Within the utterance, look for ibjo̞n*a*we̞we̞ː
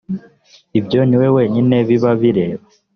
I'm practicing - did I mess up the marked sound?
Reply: yes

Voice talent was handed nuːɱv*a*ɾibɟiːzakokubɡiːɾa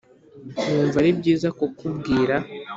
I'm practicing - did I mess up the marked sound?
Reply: no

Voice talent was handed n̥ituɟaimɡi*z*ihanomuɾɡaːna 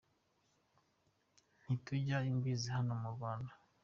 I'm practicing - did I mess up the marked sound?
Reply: no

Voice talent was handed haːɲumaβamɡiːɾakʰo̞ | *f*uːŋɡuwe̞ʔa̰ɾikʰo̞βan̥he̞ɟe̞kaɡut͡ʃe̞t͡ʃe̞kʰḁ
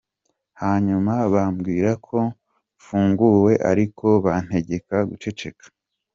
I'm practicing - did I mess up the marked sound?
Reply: no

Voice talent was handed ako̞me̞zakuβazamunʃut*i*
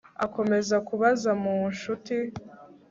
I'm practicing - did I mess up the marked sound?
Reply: no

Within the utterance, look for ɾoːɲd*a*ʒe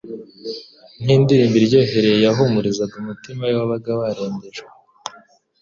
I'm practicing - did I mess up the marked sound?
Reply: yes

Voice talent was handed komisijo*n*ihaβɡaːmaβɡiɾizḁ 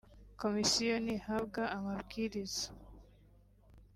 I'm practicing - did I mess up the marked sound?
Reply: no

